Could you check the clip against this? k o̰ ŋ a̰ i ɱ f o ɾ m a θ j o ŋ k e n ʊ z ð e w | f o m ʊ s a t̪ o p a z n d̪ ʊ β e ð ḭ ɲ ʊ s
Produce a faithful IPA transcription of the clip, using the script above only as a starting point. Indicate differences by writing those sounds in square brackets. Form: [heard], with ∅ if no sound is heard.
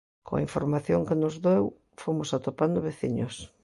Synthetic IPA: k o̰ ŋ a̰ i ɱ f o ɾ m a θ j o ŋ k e n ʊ z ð e w | f o m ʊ s a t̪ o p a [∅] n d̪ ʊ β e [θ] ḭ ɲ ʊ s